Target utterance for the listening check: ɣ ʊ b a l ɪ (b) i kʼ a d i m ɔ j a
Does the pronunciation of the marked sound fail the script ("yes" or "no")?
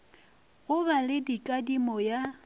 yes